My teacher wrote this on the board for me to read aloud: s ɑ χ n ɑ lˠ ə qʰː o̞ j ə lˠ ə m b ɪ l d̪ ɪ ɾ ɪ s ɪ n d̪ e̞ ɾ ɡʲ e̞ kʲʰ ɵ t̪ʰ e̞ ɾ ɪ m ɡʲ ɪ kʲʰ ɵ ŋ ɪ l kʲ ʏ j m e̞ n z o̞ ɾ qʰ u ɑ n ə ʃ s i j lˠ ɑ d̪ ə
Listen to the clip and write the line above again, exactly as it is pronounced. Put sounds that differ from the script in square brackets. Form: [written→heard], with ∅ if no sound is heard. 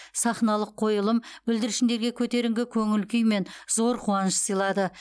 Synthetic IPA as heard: s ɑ χ n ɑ lˠ ə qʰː o̞ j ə lˠ ə m b ɪ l d̪ ɪ ɾ ɪ [s→ʃ] ɪ n d̪ e̞ ɾ ɡʲ e̞ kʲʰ ɵ [t̪ʰ→t̪] e̞ ɾ ɪ [m→ŋ] ɡʲ ɪ kʲʰ ɵ ŋ ɪ l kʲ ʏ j m e̞ n z o̞ ɾ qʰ u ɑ n ə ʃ s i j lˠ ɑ d̪ ə